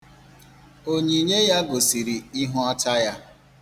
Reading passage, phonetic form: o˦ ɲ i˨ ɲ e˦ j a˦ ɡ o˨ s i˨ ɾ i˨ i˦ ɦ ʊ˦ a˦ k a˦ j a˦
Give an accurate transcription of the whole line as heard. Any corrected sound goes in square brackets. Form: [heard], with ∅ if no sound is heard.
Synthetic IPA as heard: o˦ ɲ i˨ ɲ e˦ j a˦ ɡ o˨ s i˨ ɾ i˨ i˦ ɦ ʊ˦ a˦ [t] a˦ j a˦